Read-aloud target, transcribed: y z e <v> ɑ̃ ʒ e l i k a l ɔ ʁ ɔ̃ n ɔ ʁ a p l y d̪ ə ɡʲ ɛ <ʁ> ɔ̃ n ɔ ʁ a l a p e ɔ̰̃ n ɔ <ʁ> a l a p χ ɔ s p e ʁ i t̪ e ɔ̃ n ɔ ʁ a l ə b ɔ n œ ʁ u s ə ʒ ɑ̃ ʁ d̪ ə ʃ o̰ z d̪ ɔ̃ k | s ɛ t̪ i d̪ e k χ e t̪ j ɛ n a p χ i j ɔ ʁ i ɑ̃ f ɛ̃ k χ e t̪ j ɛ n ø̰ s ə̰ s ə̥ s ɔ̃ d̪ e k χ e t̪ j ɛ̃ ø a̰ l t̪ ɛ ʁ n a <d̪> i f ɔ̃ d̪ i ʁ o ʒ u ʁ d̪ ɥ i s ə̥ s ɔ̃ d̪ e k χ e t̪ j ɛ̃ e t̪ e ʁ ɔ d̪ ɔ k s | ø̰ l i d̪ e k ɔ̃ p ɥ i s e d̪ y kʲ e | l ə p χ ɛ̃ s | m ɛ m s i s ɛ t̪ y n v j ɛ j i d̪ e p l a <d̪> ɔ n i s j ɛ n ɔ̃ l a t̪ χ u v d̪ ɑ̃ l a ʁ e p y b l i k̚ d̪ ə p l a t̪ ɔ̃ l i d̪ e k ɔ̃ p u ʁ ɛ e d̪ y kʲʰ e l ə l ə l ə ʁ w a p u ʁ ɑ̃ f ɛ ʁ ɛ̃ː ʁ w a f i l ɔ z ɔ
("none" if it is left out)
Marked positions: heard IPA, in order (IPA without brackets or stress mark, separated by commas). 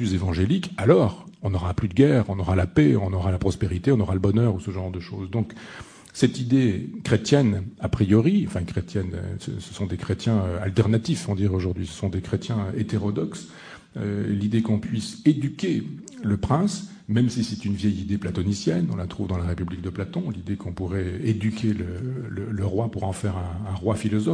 v, ʁ, ʁ, t̪, t̪